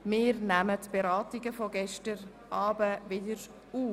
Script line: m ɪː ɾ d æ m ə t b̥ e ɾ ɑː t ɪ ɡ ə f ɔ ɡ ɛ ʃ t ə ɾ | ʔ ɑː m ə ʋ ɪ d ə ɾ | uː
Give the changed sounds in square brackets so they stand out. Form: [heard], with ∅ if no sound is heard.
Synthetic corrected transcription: m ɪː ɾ [n] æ m ə t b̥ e ɾ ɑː t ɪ ɡ ə f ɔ ɡ ɛ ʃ t ə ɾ | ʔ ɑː [b] ə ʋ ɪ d ə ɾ | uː